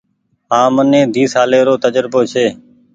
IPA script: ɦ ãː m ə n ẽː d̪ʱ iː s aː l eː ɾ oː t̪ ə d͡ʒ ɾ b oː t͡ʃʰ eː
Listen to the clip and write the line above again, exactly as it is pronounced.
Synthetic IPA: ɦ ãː m ə n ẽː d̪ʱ iː s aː l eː ɾ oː t̪ ə d͡ʒ ɾ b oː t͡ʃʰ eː